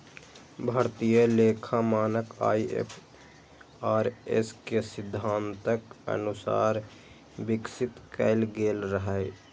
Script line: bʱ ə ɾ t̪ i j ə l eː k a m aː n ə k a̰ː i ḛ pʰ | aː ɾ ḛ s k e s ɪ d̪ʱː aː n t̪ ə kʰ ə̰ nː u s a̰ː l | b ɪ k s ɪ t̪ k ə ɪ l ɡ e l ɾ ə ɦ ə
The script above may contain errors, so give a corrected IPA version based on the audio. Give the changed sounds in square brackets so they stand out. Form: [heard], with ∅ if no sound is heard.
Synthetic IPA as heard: bʱ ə ɾ t̪ i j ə l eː [kʰ] a m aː n ə k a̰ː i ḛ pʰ | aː ɾ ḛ s k e s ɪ d̪ʱː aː n t̪ ə [k] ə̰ [n] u s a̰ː [ɾ] | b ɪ k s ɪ t̪ k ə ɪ l ɡ e l ɾ ə ɦ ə